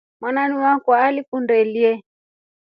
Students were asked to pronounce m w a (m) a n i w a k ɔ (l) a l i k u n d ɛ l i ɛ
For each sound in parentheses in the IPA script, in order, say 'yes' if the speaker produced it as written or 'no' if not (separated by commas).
no, no